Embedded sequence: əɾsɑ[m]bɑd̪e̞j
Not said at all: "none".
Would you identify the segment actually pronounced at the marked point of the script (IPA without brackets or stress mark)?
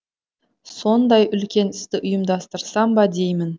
m